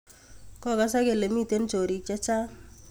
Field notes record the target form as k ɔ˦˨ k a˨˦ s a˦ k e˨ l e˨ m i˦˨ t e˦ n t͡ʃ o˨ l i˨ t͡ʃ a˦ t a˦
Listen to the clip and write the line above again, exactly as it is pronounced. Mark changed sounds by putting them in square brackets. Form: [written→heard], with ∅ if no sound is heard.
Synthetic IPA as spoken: k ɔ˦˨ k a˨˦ s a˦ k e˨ l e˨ m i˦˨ t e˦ n t͡ʃ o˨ [l→ɾ] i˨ t͡ʃ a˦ [t→t͡ʃ] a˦